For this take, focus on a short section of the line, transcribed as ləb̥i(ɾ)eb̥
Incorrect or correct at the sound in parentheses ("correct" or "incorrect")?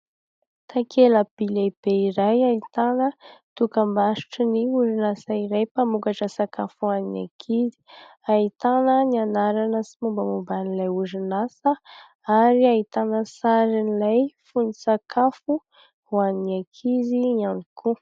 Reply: incorrect